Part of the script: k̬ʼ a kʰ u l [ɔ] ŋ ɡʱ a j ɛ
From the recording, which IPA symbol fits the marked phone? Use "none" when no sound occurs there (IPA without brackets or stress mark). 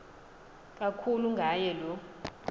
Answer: u